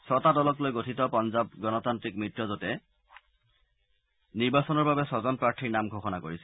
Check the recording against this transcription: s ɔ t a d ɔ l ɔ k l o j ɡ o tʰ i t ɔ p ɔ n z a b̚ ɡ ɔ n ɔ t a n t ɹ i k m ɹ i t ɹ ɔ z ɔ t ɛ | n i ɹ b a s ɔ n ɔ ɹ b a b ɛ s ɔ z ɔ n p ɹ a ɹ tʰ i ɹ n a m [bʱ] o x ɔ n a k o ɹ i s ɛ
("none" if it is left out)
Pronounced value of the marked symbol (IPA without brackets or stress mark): ɡʱ